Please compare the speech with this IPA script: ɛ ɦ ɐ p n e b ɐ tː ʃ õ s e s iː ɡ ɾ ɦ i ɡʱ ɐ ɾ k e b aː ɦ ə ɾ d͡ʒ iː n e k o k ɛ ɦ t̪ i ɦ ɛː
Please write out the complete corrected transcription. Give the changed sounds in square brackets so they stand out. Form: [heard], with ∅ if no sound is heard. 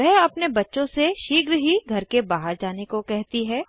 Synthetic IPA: ɛ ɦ ɐ p n e b ɐ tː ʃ õ s e [ʃ] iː ɡ ɾ ɦ i ɡʱ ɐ ɾ k e b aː ɦ ə ɾ d͡ʒ [aː] n e k o k ɛ ɦ t̪ i ɦ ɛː